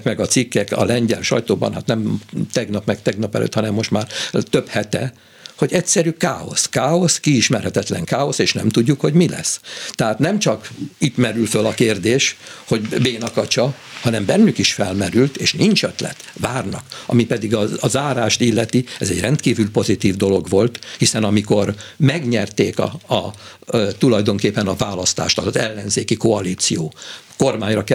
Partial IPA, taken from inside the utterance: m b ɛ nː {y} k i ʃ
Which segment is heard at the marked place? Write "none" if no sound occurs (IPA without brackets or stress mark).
y